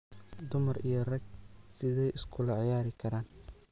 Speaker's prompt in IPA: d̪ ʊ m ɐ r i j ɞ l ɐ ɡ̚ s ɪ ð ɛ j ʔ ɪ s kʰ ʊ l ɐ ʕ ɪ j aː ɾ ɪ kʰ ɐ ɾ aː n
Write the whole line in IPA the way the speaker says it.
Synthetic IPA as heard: d̪ ʊ m ɐ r i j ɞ r ɐ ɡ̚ s ɪ ð ɛ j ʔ ɪ s kʰ ʊ l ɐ ʕ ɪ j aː ɾ ɪ kʰ ɐ ɾ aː n